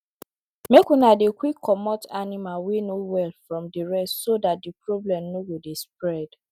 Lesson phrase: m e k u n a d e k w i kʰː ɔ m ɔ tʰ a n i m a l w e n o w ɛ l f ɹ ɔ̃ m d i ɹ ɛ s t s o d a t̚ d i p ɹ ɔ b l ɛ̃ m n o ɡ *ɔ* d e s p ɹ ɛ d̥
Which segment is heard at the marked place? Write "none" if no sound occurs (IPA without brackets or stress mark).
o